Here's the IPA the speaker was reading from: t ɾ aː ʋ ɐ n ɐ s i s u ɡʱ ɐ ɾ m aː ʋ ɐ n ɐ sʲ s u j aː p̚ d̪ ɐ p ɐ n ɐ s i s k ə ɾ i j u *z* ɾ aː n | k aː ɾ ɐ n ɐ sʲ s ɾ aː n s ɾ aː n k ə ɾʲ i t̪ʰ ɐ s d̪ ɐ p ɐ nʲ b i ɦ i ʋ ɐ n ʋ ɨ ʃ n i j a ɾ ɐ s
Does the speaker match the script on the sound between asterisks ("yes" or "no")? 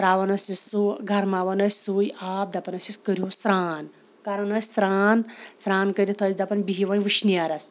no